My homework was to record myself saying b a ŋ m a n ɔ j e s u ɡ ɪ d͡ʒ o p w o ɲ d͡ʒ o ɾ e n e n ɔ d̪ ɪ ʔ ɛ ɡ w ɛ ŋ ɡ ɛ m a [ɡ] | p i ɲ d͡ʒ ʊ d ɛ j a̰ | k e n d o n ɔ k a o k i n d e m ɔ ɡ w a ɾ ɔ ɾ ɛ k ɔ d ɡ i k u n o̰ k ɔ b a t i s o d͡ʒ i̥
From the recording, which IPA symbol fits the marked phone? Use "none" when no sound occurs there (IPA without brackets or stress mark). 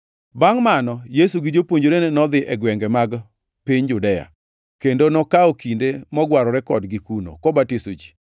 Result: ɡ